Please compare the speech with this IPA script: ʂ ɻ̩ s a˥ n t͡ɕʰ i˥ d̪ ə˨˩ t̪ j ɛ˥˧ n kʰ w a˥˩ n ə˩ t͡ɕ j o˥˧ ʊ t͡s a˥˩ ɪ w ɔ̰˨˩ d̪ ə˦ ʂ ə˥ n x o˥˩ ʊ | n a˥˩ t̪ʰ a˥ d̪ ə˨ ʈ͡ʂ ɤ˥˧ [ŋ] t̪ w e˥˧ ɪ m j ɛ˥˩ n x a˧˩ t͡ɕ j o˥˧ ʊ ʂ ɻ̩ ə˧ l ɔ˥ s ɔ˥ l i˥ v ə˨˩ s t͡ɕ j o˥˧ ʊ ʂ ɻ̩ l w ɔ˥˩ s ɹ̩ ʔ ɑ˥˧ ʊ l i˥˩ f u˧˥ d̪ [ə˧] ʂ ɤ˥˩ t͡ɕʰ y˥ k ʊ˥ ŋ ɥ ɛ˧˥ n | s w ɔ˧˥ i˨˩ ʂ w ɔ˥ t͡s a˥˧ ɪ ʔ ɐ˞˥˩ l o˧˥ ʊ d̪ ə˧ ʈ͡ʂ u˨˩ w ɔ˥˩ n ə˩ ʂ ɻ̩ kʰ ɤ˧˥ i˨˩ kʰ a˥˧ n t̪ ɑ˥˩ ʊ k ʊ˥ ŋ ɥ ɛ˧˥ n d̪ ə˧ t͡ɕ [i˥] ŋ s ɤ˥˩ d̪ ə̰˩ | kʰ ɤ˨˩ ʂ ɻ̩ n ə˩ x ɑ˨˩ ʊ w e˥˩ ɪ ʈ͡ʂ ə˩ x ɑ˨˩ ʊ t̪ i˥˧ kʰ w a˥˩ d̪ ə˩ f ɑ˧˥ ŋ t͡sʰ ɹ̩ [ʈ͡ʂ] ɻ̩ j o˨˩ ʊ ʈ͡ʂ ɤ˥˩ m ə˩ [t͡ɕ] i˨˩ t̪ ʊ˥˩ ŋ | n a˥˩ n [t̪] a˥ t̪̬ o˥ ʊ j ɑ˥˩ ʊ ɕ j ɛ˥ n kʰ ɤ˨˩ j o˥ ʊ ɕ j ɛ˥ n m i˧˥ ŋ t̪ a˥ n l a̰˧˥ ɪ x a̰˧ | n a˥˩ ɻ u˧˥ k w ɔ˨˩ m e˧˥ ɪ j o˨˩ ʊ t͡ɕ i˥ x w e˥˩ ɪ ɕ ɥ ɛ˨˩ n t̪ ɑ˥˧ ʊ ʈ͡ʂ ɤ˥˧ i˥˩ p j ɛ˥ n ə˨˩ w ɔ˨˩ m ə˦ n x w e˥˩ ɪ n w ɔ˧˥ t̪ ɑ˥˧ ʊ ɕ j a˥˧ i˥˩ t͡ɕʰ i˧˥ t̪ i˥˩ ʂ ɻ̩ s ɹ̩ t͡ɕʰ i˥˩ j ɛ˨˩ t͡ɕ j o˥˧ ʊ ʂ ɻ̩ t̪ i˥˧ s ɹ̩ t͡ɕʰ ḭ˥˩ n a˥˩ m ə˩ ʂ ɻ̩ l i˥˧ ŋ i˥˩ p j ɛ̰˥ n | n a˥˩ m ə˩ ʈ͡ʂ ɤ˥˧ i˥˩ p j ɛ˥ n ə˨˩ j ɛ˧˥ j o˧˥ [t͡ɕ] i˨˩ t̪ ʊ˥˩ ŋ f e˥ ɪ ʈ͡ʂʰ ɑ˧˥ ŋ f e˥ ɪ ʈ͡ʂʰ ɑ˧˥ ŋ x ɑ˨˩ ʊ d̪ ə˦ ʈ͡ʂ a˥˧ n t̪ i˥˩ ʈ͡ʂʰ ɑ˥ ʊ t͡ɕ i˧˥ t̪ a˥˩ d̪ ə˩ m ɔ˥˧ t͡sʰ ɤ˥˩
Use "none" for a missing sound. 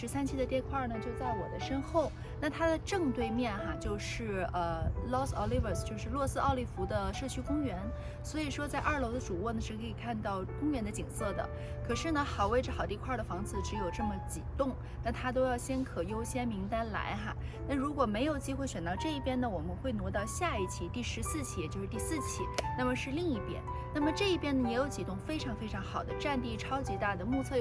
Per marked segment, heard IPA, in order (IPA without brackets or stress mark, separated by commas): ŋ, ə˧, i˨˩, ʈ͡ʂ, t͡ɕ, t̪ʰ, t͡ɕ